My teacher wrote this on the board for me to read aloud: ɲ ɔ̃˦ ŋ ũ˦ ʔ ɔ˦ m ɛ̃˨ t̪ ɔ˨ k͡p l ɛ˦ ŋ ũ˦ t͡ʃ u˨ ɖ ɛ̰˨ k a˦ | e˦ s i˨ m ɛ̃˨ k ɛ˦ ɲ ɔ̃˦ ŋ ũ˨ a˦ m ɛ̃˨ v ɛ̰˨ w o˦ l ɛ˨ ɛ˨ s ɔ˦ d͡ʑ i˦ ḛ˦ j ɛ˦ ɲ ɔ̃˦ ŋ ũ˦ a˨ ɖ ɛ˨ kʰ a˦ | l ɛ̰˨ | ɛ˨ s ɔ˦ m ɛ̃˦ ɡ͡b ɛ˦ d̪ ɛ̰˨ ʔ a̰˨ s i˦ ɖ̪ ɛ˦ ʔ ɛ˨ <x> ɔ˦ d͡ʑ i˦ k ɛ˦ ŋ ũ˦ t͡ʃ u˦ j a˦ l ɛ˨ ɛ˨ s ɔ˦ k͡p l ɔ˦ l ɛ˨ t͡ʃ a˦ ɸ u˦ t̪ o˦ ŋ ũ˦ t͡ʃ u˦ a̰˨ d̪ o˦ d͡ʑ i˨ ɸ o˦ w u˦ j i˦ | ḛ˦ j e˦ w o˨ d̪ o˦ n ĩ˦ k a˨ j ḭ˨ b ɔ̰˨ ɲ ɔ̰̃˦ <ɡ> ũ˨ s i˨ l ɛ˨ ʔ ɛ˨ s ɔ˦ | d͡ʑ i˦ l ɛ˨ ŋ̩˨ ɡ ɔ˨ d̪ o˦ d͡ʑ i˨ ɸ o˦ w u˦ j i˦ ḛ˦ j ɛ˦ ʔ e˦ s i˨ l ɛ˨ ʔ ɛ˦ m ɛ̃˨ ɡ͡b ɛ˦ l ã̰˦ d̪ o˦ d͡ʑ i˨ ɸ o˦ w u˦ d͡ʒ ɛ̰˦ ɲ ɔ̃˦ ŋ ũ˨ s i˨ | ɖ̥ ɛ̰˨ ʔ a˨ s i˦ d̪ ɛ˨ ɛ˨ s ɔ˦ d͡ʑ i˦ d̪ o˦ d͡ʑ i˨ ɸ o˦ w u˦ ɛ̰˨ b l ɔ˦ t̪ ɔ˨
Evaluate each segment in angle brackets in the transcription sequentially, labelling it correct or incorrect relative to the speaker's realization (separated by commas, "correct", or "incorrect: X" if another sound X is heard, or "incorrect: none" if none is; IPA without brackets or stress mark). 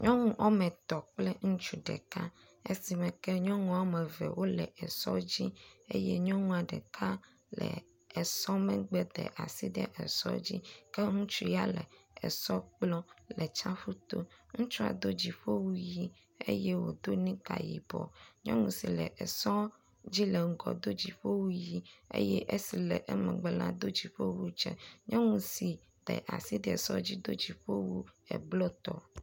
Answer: incorrect: s, incorrect: ŋ